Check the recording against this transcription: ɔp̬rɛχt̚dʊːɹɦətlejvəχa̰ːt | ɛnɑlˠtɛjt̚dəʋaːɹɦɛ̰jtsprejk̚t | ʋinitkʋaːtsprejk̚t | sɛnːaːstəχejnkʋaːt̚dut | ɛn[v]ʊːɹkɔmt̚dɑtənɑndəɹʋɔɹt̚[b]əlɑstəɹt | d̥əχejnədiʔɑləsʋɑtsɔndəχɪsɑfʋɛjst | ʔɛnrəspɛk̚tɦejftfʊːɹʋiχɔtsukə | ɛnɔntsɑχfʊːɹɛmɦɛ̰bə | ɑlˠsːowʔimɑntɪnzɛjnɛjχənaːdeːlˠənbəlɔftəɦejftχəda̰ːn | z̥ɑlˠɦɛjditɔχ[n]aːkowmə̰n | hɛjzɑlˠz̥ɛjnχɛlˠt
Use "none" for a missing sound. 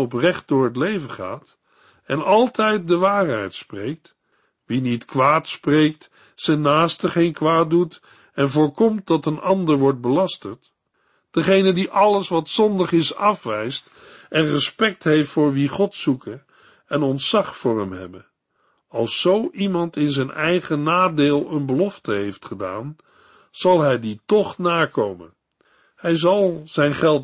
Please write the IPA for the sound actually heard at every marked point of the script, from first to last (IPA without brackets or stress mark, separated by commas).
v, b, n